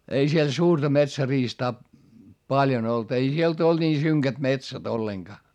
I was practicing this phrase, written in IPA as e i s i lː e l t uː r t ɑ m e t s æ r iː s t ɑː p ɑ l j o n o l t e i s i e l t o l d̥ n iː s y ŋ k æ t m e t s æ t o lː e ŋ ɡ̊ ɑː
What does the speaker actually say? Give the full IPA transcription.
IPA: e i s i e l s uː r t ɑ m e t s æ r iː s t ɑː p ɑ l j o n o l t e i s i e l t o l d̥ n iː s y ŋ k æ t m e t s æ t o lː e ŋ ɡ̊ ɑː